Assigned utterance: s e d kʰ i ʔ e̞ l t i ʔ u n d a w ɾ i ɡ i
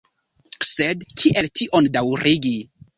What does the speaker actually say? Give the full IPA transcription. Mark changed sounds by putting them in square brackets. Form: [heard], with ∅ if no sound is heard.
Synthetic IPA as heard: s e d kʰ i ʔ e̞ l t i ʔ [o] n d a w ɾ i ɡ i